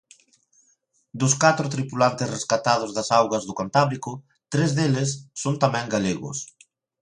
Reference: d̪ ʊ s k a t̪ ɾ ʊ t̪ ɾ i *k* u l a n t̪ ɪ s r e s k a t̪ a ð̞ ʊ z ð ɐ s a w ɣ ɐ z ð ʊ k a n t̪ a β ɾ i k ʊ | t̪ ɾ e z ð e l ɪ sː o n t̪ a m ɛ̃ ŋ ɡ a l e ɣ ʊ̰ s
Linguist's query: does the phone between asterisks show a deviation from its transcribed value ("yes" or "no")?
yes